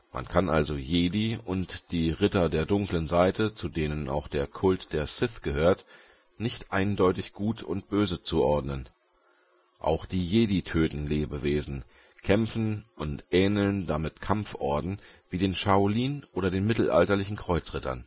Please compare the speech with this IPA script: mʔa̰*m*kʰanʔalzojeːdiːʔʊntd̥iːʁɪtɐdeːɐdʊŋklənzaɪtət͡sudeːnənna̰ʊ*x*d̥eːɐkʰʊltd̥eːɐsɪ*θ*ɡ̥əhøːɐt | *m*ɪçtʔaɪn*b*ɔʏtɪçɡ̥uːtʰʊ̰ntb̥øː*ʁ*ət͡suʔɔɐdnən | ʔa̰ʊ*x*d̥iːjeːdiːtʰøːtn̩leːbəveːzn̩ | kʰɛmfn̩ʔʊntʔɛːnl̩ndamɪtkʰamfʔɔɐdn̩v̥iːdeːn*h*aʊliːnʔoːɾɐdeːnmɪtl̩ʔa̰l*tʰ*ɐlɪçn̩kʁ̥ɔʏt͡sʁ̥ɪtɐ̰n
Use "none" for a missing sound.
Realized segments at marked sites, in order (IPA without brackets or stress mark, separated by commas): n, x, θ, n, d, z, x, ʃ, t